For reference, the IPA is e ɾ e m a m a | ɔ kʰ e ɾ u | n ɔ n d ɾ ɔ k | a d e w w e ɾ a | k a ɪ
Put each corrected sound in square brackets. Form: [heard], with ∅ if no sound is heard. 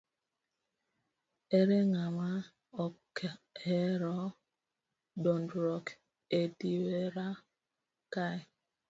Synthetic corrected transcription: e ɾ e [ŋ] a m a | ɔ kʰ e ɾ [ɔ] | [d] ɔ n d ɾ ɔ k | [e] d [i] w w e ɾ a | k a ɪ